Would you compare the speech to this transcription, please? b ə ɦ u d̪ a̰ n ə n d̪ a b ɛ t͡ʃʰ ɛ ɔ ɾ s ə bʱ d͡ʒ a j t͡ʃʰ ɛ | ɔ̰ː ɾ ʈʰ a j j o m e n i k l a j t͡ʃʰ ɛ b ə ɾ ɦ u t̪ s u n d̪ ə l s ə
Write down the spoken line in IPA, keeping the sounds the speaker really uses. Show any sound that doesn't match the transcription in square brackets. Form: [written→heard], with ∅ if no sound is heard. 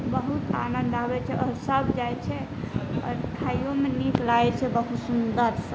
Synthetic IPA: b ə ɦ u [d̪→t̪] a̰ n ə n d̪ a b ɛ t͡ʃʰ ɛ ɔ ɾ s ə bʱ d͡ʒ a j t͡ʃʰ ɛ | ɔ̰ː ɾ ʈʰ a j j o m e n i k l a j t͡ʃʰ ɛ b ə [ɾ→∅] ɦ u t̪ s u n d̪ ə [l→ɾ] s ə